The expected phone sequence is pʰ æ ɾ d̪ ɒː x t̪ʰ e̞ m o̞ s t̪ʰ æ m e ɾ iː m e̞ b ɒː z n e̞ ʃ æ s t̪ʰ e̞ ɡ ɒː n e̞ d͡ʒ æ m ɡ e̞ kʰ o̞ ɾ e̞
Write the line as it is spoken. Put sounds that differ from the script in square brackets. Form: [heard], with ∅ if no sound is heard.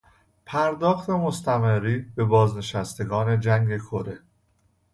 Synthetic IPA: pʰ æ ɾ d̪ ɒː x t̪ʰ e̞ m o̞ s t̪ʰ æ m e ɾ iː [b] e̞ b ɒː z n e̞ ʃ æ s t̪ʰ e̞ ɡ ɒː n e̞ d͡ʒ æ [ŋ] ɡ e̞ kʰ o̞ ɾ e̞